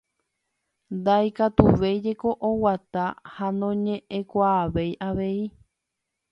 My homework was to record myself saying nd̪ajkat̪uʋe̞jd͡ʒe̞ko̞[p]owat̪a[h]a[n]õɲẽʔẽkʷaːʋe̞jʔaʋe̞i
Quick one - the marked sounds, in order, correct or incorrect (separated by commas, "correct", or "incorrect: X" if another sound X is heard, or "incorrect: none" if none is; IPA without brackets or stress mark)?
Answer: incorrect: ʔ, correct, correct